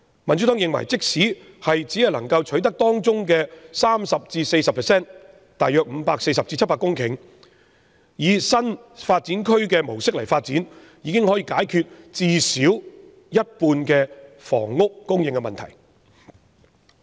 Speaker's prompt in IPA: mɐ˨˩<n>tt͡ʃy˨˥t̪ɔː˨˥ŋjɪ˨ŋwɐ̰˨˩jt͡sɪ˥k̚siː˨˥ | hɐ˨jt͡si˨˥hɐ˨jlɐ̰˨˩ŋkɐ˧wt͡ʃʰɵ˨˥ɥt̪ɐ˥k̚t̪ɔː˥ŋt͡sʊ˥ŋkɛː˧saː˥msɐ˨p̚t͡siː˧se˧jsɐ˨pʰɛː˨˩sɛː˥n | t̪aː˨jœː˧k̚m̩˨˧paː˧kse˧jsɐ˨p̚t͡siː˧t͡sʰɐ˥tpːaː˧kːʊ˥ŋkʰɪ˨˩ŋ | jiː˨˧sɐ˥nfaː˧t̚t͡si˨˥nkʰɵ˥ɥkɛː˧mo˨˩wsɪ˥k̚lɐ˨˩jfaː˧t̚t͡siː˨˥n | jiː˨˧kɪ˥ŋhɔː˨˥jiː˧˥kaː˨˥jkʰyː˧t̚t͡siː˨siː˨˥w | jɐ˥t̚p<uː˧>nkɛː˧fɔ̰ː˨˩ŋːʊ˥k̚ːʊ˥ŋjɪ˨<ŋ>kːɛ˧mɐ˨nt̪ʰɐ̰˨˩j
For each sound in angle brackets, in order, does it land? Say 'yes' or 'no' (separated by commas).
yes, yes, yes